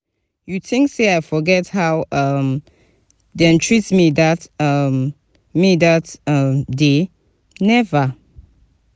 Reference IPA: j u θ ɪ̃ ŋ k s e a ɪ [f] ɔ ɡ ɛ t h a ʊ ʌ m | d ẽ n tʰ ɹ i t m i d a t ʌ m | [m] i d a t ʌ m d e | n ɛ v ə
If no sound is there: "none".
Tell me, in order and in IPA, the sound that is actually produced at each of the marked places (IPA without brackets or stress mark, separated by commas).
f, m